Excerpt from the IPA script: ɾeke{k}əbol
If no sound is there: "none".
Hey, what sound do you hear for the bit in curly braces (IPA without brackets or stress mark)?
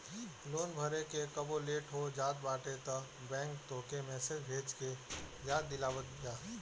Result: k